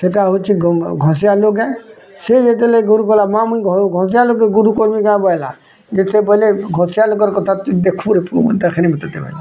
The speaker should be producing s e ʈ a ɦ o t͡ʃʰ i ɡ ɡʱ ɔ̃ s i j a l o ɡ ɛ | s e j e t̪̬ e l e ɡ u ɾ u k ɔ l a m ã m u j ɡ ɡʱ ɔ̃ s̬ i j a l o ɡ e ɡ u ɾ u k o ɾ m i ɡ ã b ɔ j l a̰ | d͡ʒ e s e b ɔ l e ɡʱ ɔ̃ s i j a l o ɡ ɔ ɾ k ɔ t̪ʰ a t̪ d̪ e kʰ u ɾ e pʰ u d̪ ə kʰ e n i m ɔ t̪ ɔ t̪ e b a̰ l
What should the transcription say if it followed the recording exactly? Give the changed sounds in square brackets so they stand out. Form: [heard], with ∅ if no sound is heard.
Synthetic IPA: s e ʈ a ɦ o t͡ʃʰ i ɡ ɡʱ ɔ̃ s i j a l o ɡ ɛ | s e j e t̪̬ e l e ɡ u ɾ u k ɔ l a m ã m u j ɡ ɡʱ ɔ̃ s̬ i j a l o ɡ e ɡ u ɾ u k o ɾ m i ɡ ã b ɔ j l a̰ | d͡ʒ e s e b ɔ l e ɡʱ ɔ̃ s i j a l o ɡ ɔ ɾ k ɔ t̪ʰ a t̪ d̪ e kʰ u ɾ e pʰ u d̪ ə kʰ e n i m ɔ t̪ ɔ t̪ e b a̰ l